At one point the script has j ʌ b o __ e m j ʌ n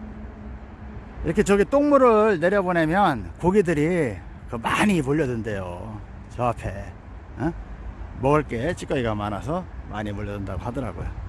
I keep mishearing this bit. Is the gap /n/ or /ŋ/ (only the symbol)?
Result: n